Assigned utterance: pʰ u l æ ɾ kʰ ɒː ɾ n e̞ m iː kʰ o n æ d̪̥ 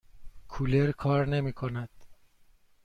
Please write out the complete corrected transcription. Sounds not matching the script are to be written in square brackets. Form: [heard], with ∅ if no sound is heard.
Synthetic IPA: [kʰ] u l [e] ɾ kʰ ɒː ɾ n e̞ m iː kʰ o n æ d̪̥